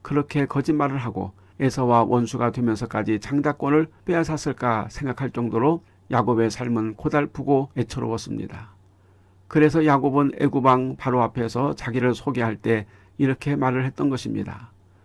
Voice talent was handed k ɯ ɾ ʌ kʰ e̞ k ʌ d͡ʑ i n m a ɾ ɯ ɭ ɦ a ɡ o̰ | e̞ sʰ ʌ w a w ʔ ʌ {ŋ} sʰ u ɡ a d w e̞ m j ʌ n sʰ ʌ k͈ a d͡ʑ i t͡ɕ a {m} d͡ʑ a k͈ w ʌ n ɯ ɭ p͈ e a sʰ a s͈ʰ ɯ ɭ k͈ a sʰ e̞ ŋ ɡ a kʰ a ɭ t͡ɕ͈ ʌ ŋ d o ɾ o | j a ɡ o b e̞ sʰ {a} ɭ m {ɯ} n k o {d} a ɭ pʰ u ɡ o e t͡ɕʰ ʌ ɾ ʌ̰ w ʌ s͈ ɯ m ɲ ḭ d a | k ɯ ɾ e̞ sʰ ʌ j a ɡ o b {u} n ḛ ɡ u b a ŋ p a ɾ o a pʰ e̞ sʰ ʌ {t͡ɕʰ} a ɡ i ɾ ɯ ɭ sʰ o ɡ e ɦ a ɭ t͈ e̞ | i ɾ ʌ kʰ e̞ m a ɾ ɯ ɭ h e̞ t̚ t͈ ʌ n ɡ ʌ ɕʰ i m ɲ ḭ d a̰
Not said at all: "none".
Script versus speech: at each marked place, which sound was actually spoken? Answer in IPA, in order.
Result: n, ŋ, a, ɯ, d, ɯ, t͡ɕ

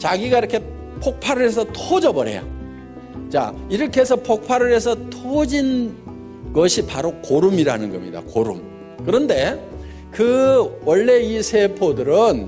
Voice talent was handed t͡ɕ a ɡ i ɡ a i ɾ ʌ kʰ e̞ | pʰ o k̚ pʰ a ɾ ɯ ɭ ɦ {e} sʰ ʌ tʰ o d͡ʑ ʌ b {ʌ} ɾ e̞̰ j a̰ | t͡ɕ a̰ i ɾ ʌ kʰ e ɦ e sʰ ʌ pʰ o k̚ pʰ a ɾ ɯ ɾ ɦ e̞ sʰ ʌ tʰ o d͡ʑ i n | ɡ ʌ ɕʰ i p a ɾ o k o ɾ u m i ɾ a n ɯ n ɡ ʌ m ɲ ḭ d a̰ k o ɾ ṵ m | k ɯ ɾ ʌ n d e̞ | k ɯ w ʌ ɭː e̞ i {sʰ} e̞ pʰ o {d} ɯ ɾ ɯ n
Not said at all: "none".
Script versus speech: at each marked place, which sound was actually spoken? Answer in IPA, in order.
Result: e, ʌ, sʰ, d

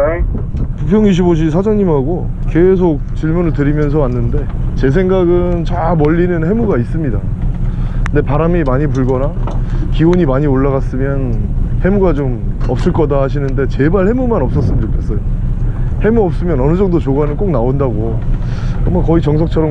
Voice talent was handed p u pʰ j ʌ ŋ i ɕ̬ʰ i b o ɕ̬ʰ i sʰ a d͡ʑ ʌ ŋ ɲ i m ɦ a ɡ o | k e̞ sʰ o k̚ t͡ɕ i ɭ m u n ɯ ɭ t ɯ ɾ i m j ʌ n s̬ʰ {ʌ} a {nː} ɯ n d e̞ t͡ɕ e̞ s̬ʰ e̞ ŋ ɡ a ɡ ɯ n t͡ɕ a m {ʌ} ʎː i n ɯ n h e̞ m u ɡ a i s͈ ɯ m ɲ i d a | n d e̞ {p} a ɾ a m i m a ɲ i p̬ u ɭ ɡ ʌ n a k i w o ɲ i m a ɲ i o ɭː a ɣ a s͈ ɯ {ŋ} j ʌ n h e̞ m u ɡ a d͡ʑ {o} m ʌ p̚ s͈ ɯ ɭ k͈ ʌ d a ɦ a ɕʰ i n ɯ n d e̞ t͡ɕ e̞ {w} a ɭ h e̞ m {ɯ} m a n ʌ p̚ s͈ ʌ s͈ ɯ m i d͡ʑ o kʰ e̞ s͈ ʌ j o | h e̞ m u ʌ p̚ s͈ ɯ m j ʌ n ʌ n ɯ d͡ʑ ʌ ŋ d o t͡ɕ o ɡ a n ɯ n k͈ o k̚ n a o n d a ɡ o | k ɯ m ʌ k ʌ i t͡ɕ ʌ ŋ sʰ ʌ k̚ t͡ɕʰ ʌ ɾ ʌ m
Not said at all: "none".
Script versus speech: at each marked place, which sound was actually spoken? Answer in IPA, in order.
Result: ʌ, nː, ʌ, p, m, o, b, u

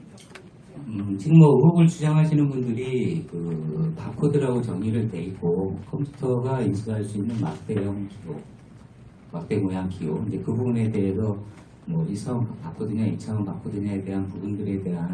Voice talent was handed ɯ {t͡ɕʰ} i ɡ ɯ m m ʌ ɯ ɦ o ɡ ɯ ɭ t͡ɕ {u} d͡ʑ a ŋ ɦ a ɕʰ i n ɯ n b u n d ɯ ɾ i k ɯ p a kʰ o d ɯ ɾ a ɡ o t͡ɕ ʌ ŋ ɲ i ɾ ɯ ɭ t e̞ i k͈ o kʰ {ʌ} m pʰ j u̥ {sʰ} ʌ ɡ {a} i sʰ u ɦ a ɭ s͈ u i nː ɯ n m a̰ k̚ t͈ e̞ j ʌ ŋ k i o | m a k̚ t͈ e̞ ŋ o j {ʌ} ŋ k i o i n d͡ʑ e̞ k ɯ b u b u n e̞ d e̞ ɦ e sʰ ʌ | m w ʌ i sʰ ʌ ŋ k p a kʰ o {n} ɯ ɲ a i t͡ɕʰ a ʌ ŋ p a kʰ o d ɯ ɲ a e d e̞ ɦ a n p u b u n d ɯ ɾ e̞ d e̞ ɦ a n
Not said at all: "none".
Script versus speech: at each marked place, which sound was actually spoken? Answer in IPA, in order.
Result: t͡ɕ, u, ʌ, tʰ, a, a, d

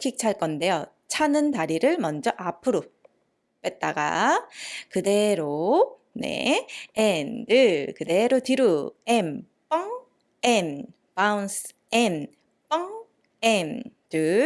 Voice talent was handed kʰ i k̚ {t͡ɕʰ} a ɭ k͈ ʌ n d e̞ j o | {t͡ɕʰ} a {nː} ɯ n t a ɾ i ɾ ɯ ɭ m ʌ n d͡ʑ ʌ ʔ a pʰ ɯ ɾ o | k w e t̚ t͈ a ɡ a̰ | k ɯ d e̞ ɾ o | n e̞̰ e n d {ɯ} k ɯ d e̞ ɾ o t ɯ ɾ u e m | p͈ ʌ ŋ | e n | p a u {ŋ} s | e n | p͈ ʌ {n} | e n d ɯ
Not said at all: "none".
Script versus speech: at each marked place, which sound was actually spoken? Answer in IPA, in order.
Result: t͡ɕʰ, t͡ɕʰ, n, ɯ, n, ŋ

